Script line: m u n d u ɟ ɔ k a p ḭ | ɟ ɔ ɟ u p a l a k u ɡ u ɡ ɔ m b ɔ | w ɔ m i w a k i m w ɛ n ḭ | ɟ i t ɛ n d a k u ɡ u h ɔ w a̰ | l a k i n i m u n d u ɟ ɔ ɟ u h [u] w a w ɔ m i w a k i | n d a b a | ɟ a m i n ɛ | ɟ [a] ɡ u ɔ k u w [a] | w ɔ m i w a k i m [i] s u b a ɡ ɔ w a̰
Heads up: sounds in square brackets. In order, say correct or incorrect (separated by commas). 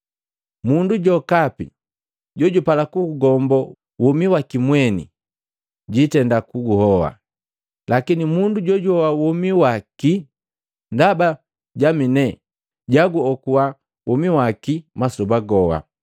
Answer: incorrect, correct, correct, incorrect